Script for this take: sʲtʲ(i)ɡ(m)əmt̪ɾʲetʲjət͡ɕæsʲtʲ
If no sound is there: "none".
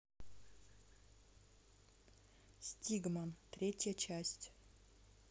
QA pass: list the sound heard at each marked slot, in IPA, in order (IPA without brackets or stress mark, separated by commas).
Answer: i, m